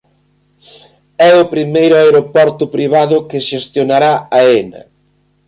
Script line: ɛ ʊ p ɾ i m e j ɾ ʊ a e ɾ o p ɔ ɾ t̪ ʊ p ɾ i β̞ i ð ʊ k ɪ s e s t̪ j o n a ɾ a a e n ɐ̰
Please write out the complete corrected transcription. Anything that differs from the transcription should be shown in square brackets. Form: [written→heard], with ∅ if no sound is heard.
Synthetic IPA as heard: ɛ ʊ p ɾ i m e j ɾ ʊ a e ɾ o p ɔ ɾ t̪ ʊ p ɾ i β̞ [i→a] ð ʊ k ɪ [s→ʃ] e s t̪ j o n a ɾ a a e n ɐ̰